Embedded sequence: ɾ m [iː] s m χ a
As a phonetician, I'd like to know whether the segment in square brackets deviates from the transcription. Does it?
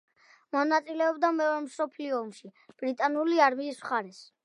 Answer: no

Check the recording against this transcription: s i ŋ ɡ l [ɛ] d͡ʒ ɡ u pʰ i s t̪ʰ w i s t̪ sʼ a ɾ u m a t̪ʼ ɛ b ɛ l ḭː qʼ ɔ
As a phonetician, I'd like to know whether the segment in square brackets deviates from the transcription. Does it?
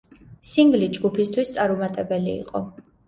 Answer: yes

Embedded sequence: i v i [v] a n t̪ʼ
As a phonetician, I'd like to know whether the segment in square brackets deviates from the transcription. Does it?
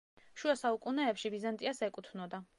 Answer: yes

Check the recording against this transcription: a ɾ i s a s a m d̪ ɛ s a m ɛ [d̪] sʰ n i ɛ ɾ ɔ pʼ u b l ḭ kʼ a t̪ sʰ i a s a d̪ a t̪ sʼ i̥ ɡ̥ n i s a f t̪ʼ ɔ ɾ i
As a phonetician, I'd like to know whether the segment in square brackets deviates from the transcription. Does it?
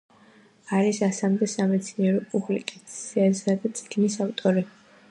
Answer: yes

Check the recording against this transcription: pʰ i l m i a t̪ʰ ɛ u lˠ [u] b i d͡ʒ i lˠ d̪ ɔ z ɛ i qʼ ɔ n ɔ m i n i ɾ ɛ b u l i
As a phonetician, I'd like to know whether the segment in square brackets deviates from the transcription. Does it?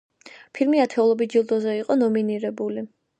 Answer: yes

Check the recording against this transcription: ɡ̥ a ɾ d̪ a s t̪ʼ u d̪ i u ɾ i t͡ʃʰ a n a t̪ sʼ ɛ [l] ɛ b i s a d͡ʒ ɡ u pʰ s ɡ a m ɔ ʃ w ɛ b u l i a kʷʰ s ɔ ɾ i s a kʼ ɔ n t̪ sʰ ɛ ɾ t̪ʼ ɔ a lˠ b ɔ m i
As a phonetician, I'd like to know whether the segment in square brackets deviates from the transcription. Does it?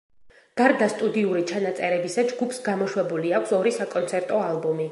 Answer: yes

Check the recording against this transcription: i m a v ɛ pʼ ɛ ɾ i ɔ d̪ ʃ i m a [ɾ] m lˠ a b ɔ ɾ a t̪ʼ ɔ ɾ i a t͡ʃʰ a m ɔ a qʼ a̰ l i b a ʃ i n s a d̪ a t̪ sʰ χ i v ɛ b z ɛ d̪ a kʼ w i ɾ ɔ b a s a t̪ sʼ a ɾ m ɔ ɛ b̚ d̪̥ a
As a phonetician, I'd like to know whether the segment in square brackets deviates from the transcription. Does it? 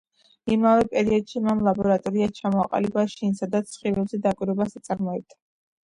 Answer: yes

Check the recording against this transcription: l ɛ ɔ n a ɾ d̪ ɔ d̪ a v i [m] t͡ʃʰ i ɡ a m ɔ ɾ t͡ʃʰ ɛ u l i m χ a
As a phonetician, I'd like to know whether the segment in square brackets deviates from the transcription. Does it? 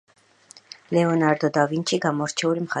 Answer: yes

